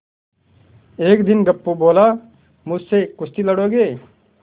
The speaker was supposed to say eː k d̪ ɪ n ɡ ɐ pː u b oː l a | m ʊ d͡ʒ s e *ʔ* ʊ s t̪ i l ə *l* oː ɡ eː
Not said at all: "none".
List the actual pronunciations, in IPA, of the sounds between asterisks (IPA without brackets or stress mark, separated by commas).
k, ɽ